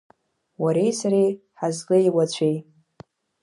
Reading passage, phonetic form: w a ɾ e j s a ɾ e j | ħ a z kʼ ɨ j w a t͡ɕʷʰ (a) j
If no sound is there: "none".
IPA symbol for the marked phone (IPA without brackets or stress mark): e